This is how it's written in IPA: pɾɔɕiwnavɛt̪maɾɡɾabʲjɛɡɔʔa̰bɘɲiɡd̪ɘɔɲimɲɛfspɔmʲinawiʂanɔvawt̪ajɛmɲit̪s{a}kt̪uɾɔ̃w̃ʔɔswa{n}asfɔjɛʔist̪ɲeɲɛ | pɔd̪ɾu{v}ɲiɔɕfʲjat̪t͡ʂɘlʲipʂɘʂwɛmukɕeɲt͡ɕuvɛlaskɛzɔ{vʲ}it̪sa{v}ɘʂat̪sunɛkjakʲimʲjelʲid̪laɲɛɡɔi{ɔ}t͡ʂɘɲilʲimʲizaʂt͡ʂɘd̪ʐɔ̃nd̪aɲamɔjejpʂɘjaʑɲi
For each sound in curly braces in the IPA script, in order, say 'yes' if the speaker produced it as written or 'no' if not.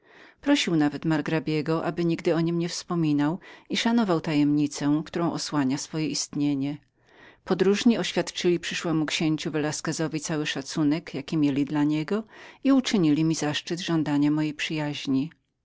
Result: no, no, no, yes, no, no

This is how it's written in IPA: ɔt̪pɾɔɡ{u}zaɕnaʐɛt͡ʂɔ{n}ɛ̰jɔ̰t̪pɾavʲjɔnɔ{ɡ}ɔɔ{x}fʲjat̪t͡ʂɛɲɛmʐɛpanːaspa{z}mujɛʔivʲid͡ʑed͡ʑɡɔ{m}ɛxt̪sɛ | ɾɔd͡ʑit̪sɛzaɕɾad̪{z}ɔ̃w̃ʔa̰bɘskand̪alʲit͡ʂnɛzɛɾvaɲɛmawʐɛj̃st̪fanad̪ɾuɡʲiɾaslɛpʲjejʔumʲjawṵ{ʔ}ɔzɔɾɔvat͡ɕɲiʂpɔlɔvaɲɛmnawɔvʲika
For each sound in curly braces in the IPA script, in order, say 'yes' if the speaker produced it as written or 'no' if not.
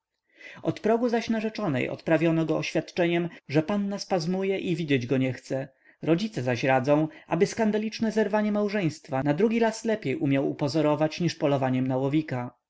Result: yes, yes, yes, no, yes, no, yes, no

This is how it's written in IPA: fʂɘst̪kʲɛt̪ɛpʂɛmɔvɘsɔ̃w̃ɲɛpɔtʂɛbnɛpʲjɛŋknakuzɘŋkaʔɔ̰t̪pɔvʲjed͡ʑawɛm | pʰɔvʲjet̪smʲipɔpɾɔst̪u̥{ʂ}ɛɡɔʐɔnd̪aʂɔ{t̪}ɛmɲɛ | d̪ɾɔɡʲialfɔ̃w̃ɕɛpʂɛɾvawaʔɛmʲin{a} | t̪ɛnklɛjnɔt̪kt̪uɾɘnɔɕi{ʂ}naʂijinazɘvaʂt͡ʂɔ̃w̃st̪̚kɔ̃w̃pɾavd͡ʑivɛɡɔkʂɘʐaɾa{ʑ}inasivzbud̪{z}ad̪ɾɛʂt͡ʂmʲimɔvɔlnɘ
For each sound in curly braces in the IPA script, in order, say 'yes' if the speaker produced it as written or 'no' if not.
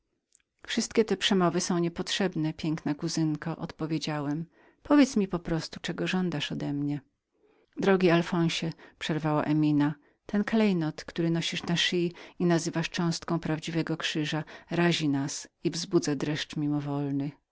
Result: no, no, yes, yes, yes, yes

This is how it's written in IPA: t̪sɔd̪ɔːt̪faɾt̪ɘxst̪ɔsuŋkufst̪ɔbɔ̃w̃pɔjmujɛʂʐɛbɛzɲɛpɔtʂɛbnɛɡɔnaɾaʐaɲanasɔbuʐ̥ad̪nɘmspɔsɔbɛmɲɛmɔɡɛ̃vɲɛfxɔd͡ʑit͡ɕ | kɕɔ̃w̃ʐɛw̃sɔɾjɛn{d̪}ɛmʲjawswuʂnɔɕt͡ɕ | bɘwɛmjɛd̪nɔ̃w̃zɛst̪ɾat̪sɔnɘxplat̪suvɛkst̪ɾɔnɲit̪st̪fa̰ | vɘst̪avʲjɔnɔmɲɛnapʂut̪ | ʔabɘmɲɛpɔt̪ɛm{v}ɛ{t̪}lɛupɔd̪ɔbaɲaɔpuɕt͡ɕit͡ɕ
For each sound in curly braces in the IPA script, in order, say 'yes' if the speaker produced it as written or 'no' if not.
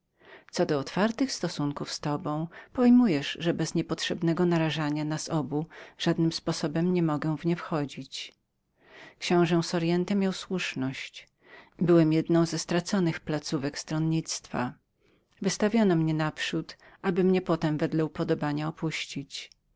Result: no, yes, no

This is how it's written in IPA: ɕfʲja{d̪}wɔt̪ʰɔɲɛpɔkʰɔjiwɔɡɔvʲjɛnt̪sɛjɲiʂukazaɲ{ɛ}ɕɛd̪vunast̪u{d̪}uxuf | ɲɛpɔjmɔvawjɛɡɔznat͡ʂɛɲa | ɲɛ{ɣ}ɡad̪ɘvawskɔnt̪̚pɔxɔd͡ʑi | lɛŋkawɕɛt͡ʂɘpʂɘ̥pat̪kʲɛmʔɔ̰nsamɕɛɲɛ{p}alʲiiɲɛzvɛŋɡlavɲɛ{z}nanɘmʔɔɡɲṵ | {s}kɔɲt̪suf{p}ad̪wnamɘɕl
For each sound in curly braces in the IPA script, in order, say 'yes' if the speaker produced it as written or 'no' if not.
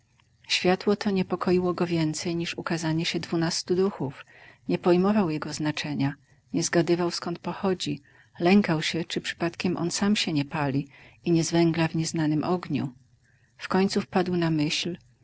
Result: no, yes, yes, no, yes, yes, no, yes

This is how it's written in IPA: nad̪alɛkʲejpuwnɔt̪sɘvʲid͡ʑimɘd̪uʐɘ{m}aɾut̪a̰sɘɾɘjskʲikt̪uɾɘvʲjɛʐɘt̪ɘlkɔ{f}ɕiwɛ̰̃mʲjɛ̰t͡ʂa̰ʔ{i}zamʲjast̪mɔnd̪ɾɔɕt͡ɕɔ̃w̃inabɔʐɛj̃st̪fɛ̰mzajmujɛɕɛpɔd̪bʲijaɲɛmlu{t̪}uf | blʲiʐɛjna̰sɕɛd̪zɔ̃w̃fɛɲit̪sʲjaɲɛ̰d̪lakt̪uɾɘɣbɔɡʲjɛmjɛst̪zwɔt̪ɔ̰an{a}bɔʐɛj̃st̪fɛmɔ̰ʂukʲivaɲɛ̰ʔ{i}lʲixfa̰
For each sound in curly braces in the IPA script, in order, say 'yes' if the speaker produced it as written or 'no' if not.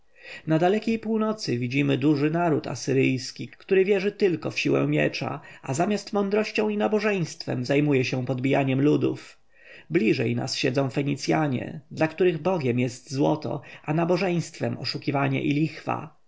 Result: no, yes, no, no, yes, yes

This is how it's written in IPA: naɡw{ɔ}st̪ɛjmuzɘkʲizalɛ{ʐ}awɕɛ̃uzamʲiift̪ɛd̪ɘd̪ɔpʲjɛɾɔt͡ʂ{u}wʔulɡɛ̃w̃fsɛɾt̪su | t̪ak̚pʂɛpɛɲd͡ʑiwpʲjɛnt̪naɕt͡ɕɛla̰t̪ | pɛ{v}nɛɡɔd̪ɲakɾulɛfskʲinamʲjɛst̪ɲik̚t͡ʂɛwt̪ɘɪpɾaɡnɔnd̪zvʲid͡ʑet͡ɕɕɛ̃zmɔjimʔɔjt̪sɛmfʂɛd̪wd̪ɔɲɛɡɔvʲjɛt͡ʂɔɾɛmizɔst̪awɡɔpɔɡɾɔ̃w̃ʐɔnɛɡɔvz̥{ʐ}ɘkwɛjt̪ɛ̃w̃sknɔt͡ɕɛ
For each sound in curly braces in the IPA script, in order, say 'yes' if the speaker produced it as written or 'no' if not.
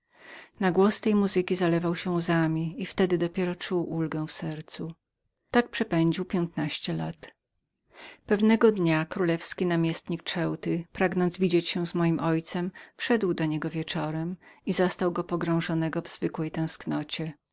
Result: yes, no, yes, yes, no

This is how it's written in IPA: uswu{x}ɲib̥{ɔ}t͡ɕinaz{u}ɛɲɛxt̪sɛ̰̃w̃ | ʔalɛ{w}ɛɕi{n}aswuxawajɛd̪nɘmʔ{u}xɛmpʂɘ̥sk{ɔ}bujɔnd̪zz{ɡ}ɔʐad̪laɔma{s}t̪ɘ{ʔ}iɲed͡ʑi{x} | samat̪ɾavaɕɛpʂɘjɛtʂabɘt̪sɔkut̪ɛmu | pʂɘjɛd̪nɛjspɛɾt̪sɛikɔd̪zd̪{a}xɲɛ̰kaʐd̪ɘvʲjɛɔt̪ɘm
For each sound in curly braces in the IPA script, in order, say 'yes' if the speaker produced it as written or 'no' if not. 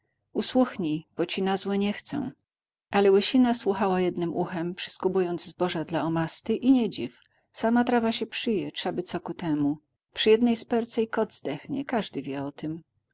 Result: yes, yes, no, yes, yes, yes, no, no, yes, yes, no, no

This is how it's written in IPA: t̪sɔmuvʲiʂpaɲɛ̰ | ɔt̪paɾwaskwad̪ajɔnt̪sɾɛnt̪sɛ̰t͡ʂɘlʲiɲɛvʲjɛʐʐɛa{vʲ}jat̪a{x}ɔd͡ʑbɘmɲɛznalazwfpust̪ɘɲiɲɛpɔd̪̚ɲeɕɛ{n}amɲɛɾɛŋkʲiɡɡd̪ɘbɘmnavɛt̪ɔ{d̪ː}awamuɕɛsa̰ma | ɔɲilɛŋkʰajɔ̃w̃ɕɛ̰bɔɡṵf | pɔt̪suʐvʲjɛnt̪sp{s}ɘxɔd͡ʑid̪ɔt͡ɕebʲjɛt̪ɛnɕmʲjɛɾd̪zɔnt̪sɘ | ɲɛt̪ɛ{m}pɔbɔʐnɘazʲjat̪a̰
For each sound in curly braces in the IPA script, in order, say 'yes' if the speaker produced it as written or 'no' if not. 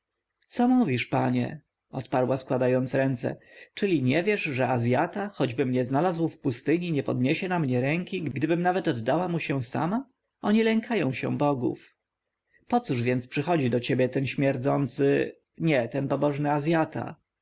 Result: no, yes, yes, yes, no, no

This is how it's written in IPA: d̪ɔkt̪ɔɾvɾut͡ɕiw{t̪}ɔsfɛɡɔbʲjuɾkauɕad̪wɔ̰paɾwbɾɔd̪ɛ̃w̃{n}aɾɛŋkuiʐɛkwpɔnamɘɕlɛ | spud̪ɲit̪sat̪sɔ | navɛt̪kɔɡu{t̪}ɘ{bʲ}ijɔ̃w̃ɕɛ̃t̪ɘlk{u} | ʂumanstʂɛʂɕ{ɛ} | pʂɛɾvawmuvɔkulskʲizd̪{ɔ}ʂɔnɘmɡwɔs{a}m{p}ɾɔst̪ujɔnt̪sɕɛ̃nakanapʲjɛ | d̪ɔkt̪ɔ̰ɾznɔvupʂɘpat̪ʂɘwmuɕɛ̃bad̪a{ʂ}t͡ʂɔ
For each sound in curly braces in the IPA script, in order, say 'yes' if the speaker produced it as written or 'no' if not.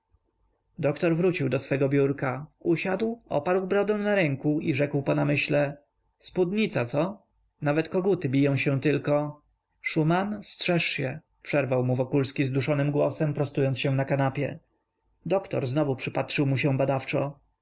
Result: no, yes, yes, yes, no, yes, no, no, yes, no

